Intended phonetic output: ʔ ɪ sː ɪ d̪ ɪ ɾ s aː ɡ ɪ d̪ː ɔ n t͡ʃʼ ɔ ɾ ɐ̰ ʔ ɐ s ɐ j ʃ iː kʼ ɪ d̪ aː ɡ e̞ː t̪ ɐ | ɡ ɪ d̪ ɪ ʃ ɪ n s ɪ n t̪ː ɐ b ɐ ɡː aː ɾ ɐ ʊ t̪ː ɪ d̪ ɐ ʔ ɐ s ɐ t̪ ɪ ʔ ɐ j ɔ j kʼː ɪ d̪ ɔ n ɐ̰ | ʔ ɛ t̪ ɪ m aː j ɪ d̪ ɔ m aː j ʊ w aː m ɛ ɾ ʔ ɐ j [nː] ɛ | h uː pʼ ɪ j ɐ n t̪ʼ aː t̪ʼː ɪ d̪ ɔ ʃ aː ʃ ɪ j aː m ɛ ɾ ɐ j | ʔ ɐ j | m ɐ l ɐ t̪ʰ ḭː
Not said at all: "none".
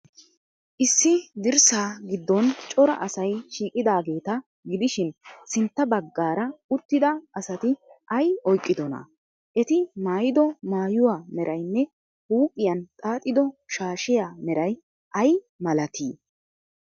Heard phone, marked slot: nː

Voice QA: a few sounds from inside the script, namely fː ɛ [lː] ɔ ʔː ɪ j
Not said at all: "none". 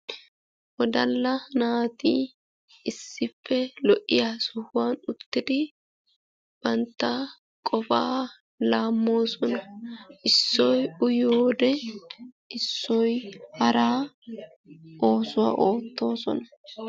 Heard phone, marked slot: l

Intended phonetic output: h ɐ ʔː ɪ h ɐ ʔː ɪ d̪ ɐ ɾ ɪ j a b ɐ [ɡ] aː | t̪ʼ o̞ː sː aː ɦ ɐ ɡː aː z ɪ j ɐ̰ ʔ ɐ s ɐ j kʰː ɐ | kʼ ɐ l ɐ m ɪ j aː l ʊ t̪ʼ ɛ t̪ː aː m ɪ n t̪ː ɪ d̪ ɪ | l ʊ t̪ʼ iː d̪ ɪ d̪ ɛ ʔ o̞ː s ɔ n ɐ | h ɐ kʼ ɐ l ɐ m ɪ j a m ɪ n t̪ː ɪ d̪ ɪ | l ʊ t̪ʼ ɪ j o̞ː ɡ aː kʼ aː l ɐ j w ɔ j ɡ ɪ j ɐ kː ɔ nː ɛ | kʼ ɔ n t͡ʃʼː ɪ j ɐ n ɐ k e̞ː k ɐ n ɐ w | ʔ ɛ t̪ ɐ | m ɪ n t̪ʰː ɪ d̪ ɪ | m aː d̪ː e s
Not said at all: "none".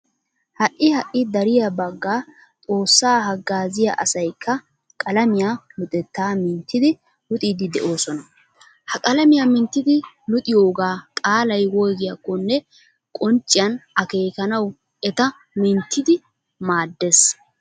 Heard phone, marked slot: ɡː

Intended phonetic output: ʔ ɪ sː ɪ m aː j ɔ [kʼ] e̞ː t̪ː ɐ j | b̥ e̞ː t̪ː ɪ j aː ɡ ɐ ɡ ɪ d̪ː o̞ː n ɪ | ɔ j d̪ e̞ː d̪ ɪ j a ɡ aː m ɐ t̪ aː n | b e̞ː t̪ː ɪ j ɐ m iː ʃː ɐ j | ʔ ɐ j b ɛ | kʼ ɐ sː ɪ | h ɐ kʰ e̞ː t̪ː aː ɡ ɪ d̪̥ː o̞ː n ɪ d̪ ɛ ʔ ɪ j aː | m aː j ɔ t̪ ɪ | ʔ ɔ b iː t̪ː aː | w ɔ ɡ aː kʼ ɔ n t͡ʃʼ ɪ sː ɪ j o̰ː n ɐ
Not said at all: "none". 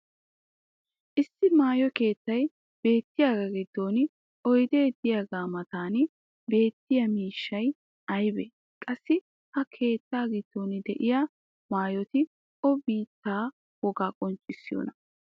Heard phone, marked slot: k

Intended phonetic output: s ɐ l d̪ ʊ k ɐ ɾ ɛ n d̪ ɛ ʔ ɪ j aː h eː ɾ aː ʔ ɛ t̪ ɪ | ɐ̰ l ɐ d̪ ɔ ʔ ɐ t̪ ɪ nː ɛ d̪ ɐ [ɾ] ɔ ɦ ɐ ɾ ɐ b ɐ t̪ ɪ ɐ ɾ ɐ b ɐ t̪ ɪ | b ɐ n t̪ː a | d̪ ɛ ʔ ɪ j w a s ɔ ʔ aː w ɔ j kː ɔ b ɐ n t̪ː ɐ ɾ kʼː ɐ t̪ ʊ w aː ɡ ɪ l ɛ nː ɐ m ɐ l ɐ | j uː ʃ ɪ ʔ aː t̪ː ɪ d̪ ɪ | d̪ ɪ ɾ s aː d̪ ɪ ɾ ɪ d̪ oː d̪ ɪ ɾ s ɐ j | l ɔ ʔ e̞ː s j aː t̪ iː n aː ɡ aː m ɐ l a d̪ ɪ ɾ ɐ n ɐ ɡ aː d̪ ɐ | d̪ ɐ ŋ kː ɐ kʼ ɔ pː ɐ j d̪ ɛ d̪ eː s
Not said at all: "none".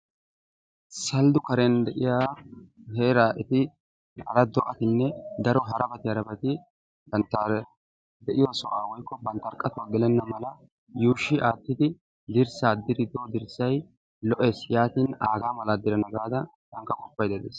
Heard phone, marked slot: ɾ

